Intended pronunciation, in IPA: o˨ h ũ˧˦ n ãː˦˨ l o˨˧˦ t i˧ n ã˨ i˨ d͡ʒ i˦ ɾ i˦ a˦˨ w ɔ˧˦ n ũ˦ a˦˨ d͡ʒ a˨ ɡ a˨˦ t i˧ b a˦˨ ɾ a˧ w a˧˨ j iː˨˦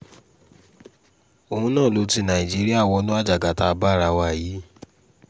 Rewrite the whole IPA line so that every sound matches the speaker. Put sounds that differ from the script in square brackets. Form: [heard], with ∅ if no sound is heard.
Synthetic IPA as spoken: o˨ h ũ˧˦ n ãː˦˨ l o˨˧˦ t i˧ n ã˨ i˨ d͡ʒ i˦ ɾ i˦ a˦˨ w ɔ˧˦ n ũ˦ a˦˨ d͡ʒ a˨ ɡ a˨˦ t [a˧] b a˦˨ ɾ a˧ w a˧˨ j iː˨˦